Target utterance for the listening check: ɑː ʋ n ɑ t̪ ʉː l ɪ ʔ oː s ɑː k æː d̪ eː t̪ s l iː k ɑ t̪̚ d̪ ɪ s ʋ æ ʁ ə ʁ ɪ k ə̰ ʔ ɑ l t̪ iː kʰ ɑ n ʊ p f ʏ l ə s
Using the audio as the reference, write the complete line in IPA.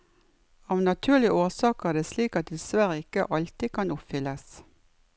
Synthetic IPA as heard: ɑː ʋ n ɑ t̪ʰ ʉː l ɪ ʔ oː s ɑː k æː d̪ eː s l iː k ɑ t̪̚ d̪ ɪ s ʋ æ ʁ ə ɪ k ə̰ ʔ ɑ l t̪ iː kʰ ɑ n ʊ p f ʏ l ə s